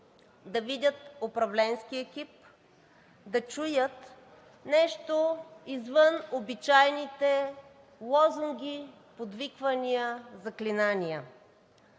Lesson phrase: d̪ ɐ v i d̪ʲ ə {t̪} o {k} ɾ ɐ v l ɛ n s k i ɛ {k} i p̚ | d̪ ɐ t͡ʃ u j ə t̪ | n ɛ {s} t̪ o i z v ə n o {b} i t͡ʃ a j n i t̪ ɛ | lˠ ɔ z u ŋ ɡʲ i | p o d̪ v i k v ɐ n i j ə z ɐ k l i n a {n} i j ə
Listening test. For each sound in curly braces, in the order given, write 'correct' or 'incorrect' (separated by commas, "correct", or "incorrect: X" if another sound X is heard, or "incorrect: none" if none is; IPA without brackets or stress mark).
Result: correct, incorrect: p, correct, incorrect: ʃ, correct, correct